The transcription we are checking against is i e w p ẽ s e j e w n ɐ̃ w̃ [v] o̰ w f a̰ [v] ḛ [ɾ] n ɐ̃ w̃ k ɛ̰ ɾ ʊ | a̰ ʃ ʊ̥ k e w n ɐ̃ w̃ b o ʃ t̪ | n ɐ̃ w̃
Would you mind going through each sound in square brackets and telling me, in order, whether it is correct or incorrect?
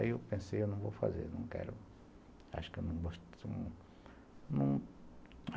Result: correct, incorrect, correct

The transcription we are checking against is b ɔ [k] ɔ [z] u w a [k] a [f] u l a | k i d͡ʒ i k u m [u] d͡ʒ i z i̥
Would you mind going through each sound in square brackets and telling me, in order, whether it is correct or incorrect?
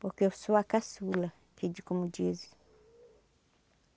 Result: correct, incorrect, correct, incorrect, correct

